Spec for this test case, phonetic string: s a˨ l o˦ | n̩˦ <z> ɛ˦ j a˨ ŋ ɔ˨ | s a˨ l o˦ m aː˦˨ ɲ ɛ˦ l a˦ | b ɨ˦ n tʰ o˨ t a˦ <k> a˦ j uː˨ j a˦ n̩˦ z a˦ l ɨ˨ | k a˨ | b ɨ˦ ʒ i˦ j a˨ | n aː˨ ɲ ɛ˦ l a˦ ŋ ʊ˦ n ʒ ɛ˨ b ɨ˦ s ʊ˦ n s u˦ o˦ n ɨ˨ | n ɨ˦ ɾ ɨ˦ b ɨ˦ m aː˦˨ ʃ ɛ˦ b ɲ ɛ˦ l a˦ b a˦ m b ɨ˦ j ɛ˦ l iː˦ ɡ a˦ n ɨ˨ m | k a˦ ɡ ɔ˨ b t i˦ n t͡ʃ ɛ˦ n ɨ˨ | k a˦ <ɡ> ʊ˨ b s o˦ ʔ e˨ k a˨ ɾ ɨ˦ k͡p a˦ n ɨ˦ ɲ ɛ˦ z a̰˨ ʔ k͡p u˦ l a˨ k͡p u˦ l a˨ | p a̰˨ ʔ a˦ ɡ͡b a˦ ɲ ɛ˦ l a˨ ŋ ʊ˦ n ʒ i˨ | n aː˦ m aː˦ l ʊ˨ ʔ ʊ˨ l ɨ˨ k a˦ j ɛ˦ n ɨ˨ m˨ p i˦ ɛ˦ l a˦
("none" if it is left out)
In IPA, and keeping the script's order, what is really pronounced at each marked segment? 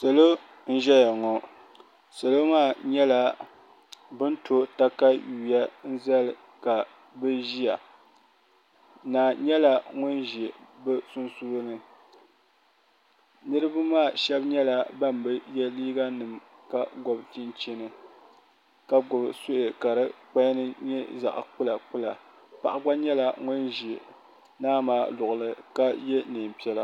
ʒ, k, ɡ

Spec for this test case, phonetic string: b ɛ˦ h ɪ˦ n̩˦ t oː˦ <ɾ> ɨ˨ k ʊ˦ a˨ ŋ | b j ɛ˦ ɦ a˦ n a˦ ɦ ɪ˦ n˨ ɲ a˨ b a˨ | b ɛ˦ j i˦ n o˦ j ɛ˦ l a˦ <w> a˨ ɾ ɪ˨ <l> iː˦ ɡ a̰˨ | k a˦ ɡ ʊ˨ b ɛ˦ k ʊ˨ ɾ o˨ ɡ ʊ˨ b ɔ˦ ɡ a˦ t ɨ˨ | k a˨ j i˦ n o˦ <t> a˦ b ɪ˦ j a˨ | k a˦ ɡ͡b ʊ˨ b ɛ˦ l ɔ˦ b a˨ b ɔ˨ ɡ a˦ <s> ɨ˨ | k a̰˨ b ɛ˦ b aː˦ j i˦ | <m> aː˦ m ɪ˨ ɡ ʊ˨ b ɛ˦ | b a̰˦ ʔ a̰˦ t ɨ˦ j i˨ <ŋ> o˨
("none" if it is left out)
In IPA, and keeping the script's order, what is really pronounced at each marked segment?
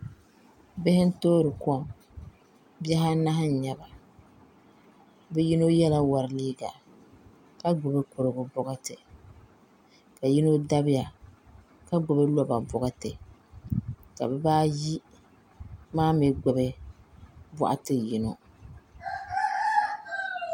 ɾ, w, l, d, t, m, n

